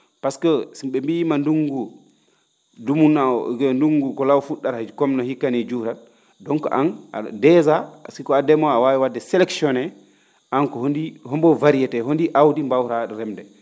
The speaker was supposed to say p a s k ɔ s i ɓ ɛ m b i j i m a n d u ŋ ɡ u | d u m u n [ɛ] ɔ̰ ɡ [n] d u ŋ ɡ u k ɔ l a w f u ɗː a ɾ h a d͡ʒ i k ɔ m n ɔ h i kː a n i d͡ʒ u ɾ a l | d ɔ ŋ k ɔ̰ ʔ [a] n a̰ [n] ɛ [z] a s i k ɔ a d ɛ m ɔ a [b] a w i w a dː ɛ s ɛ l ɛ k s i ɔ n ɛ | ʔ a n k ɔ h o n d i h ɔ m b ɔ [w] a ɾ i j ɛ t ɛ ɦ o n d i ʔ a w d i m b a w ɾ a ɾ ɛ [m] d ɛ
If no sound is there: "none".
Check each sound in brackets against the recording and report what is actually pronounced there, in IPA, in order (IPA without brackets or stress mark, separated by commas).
a, n, a, d, z, w, v, m